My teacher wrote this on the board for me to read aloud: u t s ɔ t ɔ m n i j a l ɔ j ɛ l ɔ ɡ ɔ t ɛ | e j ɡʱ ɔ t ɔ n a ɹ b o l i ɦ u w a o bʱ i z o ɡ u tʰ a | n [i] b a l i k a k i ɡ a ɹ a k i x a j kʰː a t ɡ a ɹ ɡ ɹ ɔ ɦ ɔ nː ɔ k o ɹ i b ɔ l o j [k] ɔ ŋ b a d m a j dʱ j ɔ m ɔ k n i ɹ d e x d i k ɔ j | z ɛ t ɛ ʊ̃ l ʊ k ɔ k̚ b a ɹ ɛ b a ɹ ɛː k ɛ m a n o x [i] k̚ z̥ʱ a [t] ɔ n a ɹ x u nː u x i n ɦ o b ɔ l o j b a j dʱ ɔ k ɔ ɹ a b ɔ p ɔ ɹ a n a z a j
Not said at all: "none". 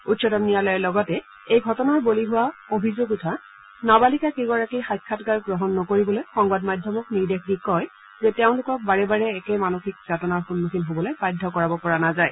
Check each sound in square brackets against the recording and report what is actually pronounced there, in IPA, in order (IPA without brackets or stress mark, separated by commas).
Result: a, x, i, t